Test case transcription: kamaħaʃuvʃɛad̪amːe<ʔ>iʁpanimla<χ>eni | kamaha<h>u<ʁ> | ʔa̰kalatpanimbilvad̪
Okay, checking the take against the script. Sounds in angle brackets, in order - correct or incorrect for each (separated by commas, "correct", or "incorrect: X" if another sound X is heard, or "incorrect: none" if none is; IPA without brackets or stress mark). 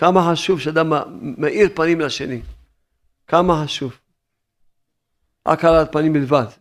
correct, incorrect: ʃ, incorrect: ʃ, incorrect: v